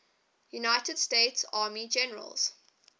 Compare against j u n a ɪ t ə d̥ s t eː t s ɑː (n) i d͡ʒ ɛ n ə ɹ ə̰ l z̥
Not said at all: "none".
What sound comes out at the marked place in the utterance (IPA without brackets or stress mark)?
m